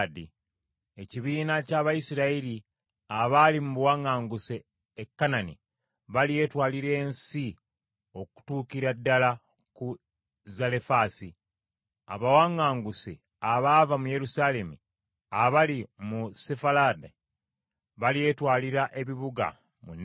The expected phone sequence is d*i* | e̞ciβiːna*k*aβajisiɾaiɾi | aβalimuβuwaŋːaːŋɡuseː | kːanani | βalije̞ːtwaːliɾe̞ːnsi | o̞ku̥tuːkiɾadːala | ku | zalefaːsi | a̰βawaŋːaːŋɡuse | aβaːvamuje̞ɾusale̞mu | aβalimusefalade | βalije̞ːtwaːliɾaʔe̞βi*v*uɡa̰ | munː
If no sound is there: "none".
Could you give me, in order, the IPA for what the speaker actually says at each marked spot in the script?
i, c, β

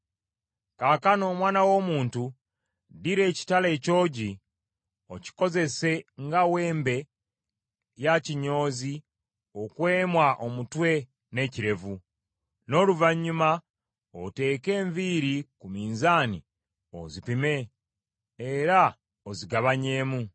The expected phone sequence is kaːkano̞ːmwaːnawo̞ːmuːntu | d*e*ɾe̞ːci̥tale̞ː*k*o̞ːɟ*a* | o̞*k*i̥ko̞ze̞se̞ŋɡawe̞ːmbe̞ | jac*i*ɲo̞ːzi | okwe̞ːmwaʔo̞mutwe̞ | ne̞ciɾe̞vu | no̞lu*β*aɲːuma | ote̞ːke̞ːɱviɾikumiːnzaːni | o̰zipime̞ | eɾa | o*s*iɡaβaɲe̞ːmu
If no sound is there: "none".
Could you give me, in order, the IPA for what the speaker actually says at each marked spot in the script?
i, c, i, c, i, v, z

